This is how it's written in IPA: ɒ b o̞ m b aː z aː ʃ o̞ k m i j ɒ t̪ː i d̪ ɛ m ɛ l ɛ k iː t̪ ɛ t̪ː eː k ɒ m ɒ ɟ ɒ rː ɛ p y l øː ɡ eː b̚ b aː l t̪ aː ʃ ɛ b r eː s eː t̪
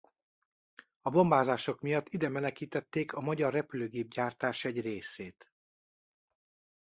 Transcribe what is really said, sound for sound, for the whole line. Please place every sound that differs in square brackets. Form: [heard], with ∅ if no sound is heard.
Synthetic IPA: ɒ b o̞ m b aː z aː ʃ o̞ k m i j ɒ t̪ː i d̪ ɛ m ɛ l ɛ k iː t̪ ɛ t̪ː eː k ɒ m ɒ ɟ ɒ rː ɛ p y l øː ɡ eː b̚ [ɟ] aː [r] t̪ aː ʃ ɛ [ɟ] r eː s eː t̪